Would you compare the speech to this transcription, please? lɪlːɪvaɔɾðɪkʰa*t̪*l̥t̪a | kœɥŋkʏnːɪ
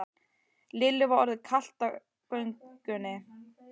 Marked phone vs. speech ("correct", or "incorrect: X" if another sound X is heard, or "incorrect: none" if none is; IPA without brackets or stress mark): incorrect: none